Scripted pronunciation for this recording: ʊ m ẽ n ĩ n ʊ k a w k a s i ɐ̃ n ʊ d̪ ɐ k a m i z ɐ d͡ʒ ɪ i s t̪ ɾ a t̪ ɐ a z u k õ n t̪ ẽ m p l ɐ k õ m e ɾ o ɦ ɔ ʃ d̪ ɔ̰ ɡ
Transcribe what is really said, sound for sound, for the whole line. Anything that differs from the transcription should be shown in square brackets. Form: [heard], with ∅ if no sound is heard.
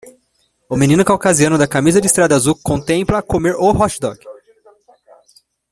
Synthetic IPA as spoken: ʊ m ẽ n ĩ n ʊ k a w k a [z] i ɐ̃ n ʊ d̪ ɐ k a m i z ɐ d͡ʒ ɪ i s t̪ ɾ a [d̪] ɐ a z u k õ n t̪ ẽ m p l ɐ k [o] m e ɾ o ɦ ɔ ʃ d̪ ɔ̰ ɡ